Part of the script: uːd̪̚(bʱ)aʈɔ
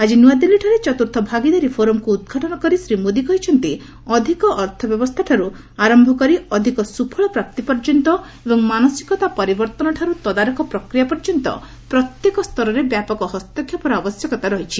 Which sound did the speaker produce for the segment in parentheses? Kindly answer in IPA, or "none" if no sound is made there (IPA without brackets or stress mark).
ɡʱ